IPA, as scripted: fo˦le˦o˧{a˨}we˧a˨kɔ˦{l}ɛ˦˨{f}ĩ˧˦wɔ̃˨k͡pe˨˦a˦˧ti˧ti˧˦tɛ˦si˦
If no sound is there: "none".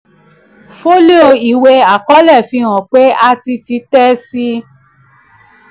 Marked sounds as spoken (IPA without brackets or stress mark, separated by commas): i˨, l, f